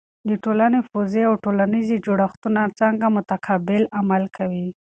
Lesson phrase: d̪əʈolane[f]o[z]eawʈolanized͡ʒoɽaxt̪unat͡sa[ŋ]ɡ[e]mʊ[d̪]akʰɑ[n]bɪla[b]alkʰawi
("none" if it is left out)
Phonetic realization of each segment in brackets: f, z, ŋ, a, t̪, none, m

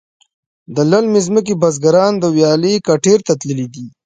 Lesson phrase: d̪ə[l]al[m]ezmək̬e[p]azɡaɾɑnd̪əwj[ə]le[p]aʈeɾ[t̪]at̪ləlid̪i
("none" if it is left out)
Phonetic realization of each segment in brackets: l, m, b, ɑ, k, t̪

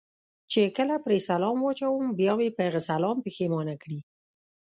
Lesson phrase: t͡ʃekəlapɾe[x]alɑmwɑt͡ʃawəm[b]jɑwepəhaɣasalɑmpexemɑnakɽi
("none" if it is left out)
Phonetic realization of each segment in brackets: s, b

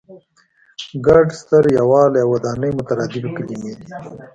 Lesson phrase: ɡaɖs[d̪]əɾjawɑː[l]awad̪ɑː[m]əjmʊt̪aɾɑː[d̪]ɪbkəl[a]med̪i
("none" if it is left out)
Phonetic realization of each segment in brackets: t̪, l, n, d̪, i

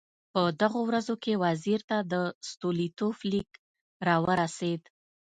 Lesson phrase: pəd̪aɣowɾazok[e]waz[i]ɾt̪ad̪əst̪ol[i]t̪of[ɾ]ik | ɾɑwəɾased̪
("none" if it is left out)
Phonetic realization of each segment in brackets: e, i, i, l

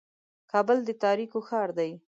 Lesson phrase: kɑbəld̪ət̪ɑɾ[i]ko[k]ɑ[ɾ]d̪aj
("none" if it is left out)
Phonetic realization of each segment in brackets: i, x, ɾ

